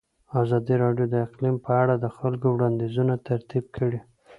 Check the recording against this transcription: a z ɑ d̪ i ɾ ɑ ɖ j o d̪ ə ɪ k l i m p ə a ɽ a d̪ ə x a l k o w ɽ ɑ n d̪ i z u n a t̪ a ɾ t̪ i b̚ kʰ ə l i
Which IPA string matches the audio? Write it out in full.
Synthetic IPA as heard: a z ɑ d̪ i ɾ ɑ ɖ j o d̪ ə ɪ q l i m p ə a ɽ a d̪ ə x a l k o w ɽ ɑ n d̪ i z u n a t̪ a ɾ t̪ i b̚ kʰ ə ɽ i